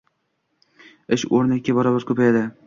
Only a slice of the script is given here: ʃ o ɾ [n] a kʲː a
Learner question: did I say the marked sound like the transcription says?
yes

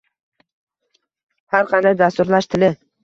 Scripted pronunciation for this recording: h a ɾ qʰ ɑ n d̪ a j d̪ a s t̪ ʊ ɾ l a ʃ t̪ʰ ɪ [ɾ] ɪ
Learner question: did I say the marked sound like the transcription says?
no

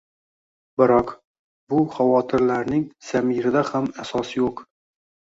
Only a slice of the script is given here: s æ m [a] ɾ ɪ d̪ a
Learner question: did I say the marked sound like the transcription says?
no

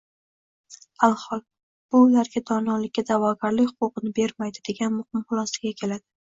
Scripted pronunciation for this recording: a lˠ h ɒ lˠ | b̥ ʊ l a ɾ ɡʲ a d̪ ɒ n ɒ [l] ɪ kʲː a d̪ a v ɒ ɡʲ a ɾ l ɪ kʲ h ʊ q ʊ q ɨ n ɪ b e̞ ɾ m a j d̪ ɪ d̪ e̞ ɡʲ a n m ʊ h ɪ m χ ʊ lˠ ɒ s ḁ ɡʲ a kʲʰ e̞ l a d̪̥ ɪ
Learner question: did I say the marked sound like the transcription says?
yes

